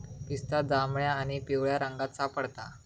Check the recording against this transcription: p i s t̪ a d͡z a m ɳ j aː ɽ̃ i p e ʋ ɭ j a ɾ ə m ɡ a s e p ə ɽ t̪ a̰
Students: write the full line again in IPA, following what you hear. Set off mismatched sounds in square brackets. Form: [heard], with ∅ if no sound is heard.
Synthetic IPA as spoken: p i s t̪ a d͡z a m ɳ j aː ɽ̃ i p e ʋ ɭ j a ɾ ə [ŋ] ɡ a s [a] p ə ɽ t̪ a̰